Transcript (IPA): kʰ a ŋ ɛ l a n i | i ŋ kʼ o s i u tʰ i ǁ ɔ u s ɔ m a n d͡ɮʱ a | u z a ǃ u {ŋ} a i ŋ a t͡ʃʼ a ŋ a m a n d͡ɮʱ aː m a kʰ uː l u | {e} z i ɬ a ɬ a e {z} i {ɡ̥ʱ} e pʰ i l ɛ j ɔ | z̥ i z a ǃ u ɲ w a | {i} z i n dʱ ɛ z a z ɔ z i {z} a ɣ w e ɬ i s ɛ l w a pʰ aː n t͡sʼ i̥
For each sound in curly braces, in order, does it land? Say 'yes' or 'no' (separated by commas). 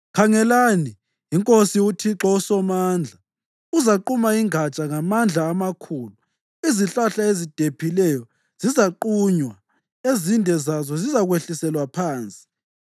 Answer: no, no, yes, no, no, yes